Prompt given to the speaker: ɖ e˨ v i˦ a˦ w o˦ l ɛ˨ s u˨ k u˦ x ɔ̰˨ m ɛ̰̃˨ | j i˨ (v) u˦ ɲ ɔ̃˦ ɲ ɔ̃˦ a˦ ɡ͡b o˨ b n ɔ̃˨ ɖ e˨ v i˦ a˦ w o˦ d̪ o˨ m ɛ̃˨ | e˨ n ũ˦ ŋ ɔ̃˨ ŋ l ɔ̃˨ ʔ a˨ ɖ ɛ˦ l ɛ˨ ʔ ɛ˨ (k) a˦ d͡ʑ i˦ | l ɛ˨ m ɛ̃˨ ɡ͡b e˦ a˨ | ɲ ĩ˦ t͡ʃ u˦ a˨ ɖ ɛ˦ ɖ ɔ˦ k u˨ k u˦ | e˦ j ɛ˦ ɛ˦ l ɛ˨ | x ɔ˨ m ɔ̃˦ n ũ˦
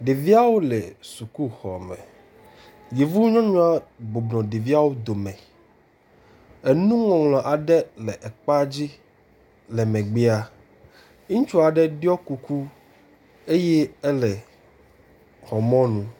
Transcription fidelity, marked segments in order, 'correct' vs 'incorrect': correct, incorrect: k͡p

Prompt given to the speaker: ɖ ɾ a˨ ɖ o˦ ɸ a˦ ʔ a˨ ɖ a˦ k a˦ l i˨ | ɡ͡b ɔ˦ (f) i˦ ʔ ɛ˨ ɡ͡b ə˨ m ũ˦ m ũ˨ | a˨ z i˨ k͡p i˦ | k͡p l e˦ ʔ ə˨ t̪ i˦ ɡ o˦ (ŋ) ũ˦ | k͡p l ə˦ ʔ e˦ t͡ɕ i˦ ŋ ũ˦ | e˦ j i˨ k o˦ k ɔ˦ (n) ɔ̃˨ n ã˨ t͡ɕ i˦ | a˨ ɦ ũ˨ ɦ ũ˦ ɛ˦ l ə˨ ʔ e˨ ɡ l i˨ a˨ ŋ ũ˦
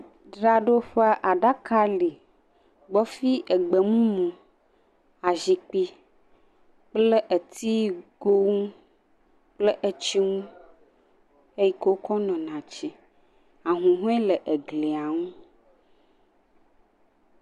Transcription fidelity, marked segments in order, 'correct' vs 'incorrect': correct, correct, correct

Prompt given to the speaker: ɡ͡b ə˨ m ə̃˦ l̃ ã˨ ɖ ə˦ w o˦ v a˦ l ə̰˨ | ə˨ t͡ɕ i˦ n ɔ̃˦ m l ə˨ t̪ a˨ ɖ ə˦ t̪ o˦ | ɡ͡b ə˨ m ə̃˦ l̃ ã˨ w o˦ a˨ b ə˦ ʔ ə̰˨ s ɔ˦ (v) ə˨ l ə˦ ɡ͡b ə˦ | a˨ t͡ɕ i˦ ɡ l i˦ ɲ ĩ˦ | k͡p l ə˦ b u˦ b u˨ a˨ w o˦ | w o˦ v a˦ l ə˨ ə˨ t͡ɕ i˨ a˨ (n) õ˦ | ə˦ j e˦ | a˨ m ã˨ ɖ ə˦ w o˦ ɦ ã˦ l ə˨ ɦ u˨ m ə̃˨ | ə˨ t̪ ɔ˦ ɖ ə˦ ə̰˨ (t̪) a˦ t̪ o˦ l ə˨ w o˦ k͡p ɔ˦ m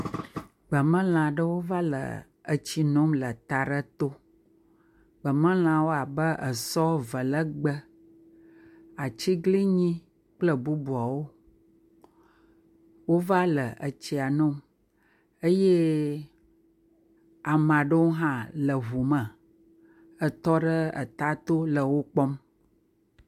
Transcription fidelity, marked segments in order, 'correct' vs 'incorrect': correct, correct, correct

